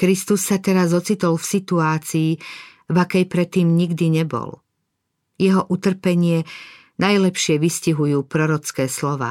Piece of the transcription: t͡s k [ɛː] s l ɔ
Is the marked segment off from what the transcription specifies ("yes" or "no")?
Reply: no